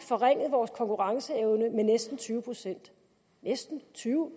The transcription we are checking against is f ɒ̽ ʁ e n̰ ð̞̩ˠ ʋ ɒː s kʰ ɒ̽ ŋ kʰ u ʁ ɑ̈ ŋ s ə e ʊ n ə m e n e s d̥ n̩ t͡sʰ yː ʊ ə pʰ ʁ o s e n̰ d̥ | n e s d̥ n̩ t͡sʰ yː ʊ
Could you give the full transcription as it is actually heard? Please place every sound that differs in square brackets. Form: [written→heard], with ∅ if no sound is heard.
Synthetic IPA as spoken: f ɒ̽ ʁ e [n̰→ŋ̰] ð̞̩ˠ ʋ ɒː s kʰ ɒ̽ ŋ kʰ u ʁ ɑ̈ ŋ s ə e ʊ n ə m e n e s d̥ n̩ t͡sʰ yː ʊ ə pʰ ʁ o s e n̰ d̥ | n e s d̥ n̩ t͡sʰ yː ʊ